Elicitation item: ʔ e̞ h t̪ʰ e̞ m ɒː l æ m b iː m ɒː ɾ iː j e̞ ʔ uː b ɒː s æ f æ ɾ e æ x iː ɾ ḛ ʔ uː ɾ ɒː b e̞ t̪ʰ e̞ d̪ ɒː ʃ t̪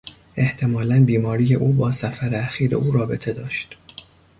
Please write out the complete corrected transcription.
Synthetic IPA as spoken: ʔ e̞ h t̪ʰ e̞ m ɒː l æ n b iː m ɒː ɾ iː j e̞ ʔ uː b ɒː s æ f æ ɾ e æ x iː ɾ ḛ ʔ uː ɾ ɒː b e̞ t̪ʰ e̞ d̪ ɒː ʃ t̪